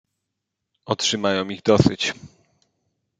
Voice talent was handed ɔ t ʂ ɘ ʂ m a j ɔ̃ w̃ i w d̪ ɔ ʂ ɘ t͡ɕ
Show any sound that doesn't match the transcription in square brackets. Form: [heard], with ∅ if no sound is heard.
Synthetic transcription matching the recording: ɔ t ʂ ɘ [∅] m a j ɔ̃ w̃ i [ɣ] d̪ ɔ [s] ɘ t͡ɕ